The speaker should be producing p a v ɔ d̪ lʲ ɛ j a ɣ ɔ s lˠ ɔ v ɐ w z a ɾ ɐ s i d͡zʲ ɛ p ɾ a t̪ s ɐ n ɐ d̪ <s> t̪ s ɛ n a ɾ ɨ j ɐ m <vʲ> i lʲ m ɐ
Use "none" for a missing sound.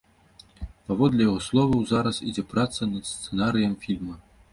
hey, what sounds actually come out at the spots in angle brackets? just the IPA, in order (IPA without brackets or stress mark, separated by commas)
s, fʲ